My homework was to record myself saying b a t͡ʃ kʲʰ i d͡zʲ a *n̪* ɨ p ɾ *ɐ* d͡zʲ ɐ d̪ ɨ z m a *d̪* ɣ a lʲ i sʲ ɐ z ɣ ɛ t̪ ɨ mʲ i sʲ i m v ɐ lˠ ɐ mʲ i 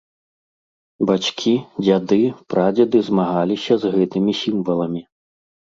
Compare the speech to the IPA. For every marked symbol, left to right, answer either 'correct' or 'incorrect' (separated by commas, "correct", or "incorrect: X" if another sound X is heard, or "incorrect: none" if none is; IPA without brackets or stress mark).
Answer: incorrect: d̪, incorrect: a, incorrect: none